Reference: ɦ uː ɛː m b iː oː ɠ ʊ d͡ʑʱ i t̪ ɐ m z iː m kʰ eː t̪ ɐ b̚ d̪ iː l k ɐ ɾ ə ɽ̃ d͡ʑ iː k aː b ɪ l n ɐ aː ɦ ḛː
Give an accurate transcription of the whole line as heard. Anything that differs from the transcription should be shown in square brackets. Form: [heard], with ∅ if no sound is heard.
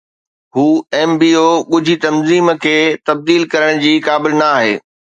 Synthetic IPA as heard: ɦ uː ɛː m b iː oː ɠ ʊ d͡ʑʱ i t̪ ɐ m z iː m kʰ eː t̪ ɐ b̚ d̪ iː l k ɐ ɾ ə ɽ̃ d͡ʑ iː k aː b ɪ l n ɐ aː ɦ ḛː